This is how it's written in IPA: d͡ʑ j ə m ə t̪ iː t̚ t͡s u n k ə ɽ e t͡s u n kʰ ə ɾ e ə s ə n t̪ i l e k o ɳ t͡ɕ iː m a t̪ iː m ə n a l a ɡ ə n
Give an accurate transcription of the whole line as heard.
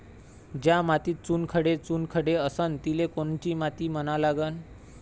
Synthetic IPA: d͡ʑ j a m a t̪ iː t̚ t͡s u n kʰ ə ɽ e t͡s u n kʰ ə ɽ e ə s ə n t̪ i l e k o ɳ t͡ɕ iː m a t̪ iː m ə n a l a ɡ ə n